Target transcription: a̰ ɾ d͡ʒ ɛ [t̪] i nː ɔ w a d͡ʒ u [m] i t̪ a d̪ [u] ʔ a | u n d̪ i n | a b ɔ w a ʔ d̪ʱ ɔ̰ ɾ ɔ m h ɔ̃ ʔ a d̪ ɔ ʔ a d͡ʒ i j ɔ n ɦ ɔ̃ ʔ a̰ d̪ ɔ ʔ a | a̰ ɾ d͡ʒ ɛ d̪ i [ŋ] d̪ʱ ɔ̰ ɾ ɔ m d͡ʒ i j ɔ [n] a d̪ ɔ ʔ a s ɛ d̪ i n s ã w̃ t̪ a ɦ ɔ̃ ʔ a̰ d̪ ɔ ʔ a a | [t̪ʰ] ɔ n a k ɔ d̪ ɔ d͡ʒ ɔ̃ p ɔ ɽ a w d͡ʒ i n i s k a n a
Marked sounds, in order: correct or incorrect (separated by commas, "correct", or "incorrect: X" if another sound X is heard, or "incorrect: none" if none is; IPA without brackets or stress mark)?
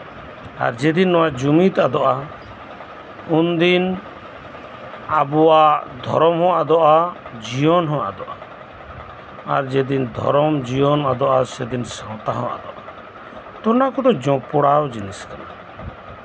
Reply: incorrect: d̪, correct, incorrect: ɔ, incorrect: n, correct, incorrect: t̪